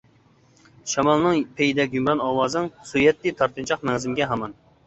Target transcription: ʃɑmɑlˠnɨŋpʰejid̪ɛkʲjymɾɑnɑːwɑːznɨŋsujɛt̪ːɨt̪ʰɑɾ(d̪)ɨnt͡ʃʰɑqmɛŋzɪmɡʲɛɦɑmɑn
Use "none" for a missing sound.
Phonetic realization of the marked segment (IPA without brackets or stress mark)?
t̪